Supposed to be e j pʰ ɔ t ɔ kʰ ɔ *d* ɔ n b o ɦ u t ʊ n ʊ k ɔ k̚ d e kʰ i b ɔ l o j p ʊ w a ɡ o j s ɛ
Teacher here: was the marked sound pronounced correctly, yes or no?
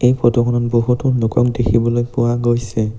no